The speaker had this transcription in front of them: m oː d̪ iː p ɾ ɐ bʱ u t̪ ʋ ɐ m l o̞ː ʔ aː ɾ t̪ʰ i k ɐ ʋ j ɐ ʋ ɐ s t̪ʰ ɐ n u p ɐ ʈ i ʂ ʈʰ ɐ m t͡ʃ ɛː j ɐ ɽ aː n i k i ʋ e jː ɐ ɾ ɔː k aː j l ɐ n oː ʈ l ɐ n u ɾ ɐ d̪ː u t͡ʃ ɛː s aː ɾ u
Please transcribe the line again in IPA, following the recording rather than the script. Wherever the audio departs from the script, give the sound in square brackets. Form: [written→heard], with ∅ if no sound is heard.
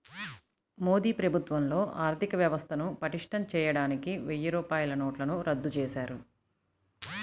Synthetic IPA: m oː d̪ iː p ɾ ɐ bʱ u t̪ ʋ ɐ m l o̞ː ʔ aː ɾ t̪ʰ i k ɐ ʋ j ɐ ʋ ɐ s t̪ʰ ɐ n u p ɐ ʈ i ʂ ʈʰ ɐ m t͡ʃ ɛː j ɐ ɽ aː n i k i ʋ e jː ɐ ɾ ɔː [k→p] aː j l ɐ n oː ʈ l ɐ n u ɾ ɐ d̪ː u t͡ʃ ɛː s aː ɾ u

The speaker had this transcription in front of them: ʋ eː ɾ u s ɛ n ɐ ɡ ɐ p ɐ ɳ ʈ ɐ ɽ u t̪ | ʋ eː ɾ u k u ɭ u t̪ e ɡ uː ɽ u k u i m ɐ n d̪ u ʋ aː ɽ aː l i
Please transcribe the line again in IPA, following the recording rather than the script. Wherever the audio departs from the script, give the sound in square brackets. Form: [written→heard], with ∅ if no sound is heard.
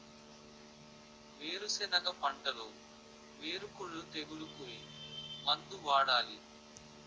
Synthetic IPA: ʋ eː ɾ u s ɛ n ɐ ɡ ɐ p ɐ ɳ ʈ ɐ [ɽ→l] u [t̪→∅] | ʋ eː ɾ u k u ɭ u t̪ e ɡ [uː→u] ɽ u k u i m ɐ n d̪ u ʋ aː ɽ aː l i

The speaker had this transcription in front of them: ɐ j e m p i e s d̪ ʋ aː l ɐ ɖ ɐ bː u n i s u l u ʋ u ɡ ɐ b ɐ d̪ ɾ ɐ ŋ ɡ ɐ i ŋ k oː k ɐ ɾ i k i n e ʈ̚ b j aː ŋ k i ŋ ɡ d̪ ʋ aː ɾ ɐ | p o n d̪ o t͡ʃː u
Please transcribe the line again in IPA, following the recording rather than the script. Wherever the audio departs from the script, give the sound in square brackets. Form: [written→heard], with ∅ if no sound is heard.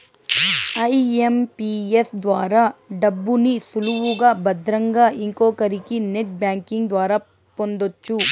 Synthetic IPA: ɐ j e m p i e s d̪ ʋ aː [l→ɾ] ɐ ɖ ɐ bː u n i s u l u ʋ u ɡ ɐ b ɐ d̪ ɾ ɐ ŋ ɡ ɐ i ŋ k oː k ɐ ɾ i k i n e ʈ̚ b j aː ŋ k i ŋ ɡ d̪ ʋ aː ɾ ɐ | p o n d̪ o t͡ʃː u

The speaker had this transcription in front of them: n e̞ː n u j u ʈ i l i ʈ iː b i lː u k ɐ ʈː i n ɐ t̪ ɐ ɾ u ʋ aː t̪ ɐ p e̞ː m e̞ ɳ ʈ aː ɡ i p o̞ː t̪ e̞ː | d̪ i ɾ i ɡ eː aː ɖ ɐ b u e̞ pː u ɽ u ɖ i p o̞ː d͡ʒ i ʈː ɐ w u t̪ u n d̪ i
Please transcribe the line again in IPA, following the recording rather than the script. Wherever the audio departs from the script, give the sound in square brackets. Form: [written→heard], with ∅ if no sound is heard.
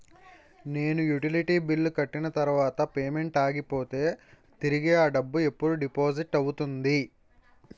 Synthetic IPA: n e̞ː n u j u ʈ i l i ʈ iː b i lː u k ɐ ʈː i n ɐ t̪ ɐ ɾ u ʋ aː t̪ ɐ p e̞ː m e̞ ɳ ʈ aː ɡ i p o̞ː t̪ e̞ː | [d̪→t̪] i ɾ i ɡ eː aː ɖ ɐ [b→bː] u e̞ pː u ɽ u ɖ i p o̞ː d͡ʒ i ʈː ɐ w u t̪ u n d̪ i

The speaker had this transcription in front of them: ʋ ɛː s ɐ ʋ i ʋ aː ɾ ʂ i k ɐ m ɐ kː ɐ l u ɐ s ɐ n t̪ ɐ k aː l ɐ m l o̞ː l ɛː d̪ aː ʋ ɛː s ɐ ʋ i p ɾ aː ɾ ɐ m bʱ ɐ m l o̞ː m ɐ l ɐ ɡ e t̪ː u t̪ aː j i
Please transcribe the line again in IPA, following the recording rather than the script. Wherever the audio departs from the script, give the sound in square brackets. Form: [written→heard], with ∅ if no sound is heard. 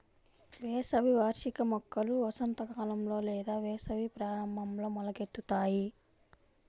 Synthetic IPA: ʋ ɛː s ɐ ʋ i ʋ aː ɾ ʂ i k ɐ m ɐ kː ɐ l u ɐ s ɐ n t̪ ɐ k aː l ɐ m l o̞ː l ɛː d̪ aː ʋ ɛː s ɐ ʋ i p ɾ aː ɾ ɐ m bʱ ɐ m l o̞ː m ɐ l ɐ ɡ e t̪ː u t̪ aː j i

